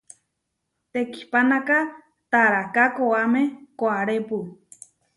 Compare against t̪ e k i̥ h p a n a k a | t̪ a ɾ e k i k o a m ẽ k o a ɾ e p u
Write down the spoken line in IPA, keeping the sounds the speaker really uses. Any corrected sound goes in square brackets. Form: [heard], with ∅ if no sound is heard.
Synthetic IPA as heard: t̪ e k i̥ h p a n a k a | t̪ a ɾ [a] k [a] k o a m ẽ k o a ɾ e p u